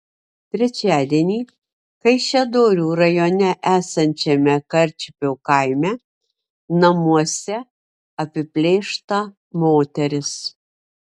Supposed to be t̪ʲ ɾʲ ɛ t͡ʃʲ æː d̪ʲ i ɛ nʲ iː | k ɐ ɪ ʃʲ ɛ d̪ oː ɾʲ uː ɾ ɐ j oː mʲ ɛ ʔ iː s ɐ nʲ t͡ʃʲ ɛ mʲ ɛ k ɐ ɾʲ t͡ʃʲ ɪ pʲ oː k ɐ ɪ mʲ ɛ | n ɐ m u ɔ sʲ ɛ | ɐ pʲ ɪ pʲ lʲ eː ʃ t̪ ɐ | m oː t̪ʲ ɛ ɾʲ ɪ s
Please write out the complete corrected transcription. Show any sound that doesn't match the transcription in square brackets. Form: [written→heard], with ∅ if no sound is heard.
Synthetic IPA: t̪ʲ ɾʲ ɛ t͡ʃʲ æː d̪ʲ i ɛ nʲ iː | k ɐ ɪ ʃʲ ɛ d̪ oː ɾʲ uː ɾ ɐ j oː [mʲ→nʲ] ɛ ʔ [iː→æː] s ɐ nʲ t͡ʃʲ ɛ mʲ ɛ k ɐ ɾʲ t͡ʃʲ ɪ pʲ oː k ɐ ɪ mʲ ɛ | n ɐ m u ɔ sʲ ɛ | ɐ pʲ ɪ pʲ lʲ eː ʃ t̪ ɐ | m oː t̪ʲ ɛ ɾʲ ɪ s

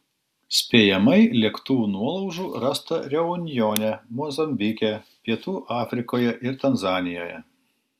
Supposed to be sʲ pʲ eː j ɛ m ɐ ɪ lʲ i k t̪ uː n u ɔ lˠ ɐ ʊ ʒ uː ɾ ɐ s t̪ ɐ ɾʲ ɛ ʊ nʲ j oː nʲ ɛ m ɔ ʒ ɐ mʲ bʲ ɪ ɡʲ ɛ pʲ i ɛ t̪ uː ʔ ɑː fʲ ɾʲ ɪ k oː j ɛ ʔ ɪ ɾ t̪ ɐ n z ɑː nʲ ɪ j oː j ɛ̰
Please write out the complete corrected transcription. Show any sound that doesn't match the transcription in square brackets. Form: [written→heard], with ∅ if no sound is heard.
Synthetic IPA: sʲ pʲ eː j ɛ m ɐ ɪ lʲ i k t̪ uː n u ɔ lˠ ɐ ʊ ʒ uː ɾ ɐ s t̪ ɐ ɾʲ ɛ ʊ nʲ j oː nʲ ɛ m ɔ [ʒ→z] ɐ mʲ bʲ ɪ [ɡʲ→kʲ] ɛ pʲ i ɛ t̪ uː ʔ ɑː fʲ ɾʲ ɪ k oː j ɛ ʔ ɪ ɾ t̪ ɐ n z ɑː nʲ ɪ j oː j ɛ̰

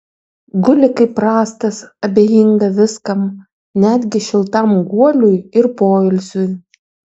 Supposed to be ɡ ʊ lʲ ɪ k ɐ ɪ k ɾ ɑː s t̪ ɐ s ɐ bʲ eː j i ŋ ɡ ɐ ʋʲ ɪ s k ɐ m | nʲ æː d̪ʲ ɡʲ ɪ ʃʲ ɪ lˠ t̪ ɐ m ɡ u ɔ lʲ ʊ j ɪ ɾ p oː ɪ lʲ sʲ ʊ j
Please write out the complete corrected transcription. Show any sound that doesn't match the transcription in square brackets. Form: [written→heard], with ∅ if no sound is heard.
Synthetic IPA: ɡ ʊ lʲ ɪ k ɐ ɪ [k→p] ɾ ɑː s t̪ ɐ s ɐ bʲ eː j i ŋ ɡ ɐ ʋʲ ɪ s k ɐ m | nʲ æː d̪ʲ ɡʲ ɪ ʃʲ ɪ lˠ t̪ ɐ m ɡ u ɔ lʲ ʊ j ɪ ɾ p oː ɪ lʲ sʲ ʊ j

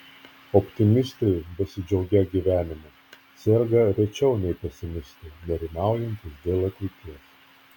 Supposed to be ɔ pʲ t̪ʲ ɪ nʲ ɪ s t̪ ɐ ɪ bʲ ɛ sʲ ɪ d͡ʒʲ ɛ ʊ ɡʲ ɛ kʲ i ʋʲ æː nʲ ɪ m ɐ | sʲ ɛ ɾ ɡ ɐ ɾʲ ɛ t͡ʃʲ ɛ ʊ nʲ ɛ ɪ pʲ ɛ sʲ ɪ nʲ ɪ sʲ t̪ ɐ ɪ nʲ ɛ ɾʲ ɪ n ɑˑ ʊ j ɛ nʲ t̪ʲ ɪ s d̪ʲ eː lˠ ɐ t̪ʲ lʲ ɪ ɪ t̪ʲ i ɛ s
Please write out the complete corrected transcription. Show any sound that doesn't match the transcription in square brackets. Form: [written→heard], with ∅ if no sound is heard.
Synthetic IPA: ɔ pʲ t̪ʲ ɪ [nʲ→mʲ] ɪ s t̪ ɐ ɪ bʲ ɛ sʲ ɪ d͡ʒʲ ɛ ʊ ɡʲ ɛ [kʲ→ɡʲ] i ʋʲ æː nʲ ɪ m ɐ | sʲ ɛ ɾ ɡ ɐ ɾʲ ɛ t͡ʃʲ ɛ ʊ nʲ ɛ ɪ pʲ ɛ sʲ ɪ [nʲ→mʲ] ɪ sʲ t̪ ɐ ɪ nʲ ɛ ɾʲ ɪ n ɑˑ ʊ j ɛ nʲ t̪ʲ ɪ s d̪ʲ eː lˠ ɐ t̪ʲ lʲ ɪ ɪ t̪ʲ i ɛ s

